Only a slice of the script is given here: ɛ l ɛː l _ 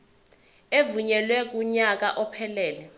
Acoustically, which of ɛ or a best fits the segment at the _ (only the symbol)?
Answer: ɛ